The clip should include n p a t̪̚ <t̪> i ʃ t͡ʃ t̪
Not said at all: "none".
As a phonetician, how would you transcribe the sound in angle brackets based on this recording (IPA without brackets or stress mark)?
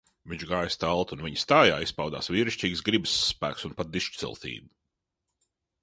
d̪